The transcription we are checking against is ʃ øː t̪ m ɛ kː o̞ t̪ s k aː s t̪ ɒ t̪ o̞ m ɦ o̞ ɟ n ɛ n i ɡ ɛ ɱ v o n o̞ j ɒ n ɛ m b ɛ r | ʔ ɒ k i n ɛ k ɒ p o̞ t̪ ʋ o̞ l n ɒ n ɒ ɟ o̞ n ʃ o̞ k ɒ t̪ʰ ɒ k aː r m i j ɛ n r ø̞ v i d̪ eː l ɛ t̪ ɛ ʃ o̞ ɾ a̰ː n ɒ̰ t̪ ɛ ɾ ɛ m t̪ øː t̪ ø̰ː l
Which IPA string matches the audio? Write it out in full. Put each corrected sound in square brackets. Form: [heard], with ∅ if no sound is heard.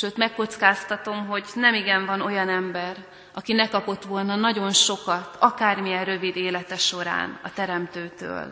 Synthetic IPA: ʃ øː t̪ m ɛ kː o̞ t̪ s k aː s t̪ ɒ t̪ o̞ m ɦ o̞ ɟ n ɛ [m] i ɡ ɛ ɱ v [ɒ] n o̞ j ɒ n ɛ m b ɛ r | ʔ ɒ k i n ɛ k ɒ p o̞ t̪ ʋ o̞ l n ɒ n ɒ ɟ o̞ n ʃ o̞ k ɒ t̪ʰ ɒ k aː r m i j ɛ n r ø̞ v i d̪ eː l ɛ t̪ ɛ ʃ o̞ ɾ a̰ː n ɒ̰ t̪ ɛ ɾ ɛ m t̪ øː t̪ ø̰ː l